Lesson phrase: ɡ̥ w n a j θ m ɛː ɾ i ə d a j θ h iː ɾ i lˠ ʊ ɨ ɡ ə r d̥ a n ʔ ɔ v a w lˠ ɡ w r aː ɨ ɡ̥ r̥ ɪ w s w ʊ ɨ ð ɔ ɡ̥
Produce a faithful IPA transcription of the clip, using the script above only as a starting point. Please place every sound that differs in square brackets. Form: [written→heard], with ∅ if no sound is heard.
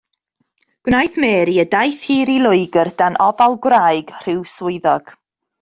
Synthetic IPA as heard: ɡ̥ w n a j θ m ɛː ɾ i ə d a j θ h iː ɾ i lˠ ʊ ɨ ɡ ə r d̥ a n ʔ ɔ v a [w→∅] lˠ ɡ w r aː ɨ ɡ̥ r̥ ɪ w s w ʊ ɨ ð ɔ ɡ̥